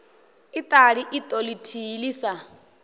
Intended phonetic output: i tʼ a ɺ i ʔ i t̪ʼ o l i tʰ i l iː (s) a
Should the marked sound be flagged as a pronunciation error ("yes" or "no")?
no